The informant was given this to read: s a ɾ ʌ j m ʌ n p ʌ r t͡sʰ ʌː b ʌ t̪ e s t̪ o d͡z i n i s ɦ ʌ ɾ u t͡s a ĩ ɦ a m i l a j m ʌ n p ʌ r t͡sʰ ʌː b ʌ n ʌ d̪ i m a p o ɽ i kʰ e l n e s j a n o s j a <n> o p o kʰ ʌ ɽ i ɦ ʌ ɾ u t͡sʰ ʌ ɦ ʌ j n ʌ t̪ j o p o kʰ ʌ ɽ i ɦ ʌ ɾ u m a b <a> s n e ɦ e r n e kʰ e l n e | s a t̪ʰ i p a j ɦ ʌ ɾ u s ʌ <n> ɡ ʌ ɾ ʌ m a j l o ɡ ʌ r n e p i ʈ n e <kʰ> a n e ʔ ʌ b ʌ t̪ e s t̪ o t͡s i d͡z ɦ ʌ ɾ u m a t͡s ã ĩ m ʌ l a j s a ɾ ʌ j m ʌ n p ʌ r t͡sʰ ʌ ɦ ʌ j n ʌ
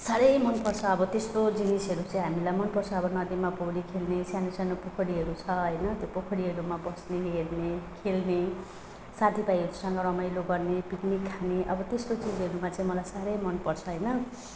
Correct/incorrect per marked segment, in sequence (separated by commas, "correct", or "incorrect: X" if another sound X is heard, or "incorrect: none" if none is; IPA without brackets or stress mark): correct, incorrect: ʌ, incorrect: ŋ, correct